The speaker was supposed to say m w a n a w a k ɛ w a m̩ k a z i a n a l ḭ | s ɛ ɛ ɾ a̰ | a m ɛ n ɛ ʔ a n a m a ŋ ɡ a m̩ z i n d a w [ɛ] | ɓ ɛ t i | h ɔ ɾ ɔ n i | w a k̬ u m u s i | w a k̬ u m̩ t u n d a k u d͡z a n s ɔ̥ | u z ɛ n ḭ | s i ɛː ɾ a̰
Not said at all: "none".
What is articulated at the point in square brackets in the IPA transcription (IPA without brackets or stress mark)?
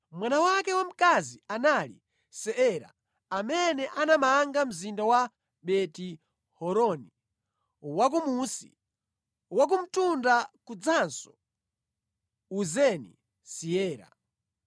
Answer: a